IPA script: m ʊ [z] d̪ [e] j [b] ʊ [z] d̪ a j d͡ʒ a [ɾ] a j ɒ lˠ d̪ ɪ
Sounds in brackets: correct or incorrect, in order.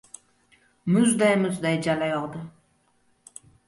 correct, incorrect, incorrect, correct, incorrect

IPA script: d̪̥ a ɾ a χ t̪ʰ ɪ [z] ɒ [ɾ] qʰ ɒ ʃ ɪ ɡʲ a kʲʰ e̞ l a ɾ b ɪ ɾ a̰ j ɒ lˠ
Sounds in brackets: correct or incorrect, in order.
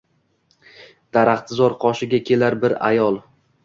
correct, correct

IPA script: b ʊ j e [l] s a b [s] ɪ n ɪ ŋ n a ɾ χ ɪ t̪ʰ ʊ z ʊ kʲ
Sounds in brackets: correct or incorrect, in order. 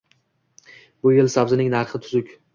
correct, incorrect

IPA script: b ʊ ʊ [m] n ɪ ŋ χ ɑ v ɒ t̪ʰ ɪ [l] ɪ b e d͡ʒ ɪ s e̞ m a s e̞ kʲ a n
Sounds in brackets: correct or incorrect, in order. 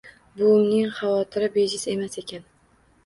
correct, incorrect

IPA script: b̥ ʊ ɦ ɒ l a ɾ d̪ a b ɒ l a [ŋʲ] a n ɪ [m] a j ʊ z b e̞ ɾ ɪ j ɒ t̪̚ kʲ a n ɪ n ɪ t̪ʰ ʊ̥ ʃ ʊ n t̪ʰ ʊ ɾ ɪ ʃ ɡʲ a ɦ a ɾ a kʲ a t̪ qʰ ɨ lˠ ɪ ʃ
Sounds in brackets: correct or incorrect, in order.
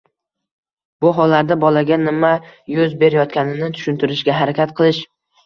incorrect, correct

